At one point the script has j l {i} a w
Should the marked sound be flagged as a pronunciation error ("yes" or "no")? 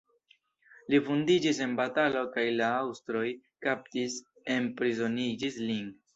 yes